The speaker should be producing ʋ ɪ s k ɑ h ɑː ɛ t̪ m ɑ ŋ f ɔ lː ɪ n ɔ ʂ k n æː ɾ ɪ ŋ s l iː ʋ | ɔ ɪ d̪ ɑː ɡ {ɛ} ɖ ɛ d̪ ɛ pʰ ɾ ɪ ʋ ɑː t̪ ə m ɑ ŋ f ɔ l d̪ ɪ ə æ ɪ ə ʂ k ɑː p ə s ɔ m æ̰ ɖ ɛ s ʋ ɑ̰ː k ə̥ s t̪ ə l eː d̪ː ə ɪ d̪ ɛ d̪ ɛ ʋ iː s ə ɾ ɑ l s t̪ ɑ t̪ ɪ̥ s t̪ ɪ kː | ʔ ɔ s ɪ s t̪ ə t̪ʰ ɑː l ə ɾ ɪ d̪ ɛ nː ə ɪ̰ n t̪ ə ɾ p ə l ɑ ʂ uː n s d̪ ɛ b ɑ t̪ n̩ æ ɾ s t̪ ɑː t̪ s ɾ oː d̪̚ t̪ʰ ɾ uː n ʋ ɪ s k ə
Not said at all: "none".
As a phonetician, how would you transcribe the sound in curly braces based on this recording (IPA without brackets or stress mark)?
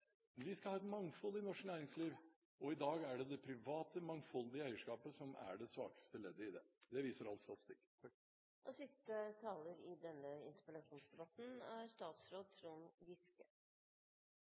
æ